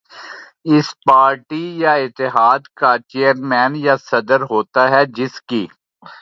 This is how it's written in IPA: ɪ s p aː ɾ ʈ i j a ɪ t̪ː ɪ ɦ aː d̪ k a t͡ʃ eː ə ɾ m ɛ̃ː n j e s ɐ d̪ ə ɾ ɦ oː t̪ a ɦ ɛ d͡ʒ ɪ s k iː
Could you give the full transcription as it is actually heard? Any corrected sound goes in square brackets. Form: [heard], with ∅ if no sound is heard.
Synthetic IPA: ɪ s p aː ɾ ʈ i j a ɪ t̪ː ɪ ɦ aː d̪ k a t͡ʃ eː ə ɾ m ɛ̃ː n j [a] s ɐ d̪ ə ɾ ɦ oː t̪ a ɦ ɛ d͡ʒ ɪ s k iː